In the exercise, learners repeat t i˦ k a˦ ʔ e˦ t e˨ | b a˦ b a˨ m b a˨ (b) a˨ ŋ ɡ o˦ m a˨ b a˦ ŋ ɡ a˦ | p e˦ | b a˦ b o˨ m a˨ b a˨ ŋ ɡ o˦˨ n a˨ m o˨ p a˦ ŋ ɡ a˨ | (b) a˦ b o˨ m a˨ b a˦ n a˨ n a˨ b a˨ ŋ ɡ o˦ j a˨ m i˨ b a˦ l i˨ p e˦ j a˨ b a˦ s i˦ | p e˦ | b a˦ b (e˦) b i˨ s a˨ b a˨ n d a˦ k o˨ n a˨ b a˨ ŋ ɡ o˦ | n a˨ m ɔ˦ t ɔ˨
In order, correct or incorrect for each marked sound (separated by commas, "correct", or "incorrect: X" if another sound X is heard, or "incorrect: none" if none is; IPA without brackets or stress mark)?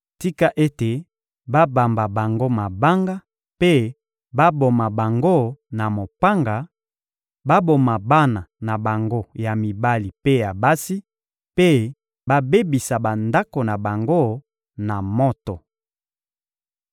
correct, correct, correct